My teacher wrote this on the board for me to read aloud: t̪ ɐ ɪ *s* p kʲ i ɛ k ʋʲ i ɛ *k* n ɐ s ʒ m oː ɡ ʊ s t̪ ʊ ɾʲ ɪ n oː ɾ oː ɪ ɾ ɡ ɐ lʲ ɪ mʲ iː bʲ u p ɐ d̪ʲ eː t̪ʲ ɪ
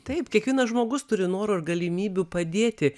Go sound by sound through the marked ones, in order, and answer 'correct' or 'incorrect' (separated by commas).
incorrect, incorrect